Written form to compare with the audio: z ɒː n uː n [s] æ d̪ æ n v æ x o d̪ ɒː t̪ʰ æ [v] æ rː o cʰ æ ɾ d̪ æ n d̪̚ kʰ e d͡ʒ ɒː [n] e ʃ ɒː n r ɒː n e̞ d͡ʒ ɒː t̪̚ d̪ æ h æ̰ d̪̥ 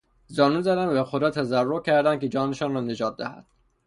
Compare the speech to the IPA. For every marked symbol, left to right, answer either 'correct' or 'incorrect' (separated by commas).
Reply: incorrect, incorrect, correct